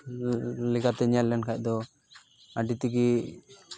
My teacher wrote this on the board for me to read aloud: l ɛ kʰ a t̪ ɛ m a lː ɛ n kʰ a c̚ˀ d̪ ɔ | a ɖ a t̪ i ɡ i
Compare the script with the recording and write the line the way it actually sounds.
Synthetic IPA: l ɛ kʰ a t̪ ɛ ɲ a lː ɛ n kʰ a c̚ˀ d̪ ɔ | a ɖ i t̪ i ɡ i